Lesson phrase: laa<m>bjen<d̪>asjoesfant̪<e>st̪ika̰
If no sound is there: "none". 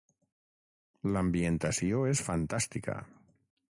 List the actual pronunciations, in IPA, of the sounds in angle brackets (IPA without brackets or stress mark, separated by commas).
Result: m, t̪, a